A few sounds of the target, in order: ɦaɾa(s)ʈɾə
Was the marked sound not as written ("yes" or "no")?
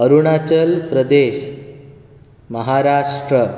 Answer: yes